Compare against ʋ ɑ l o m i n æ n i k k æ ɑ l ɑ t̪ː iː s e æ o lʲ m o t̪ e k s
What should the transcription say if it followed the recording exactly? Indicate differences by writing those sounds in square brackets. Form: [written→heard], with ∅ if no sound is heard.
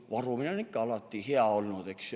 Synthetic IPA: ʋ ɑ [l→r] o m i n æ n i k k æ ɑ l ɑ t̪ː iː [s→h] e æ o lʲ [m→n] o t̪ e k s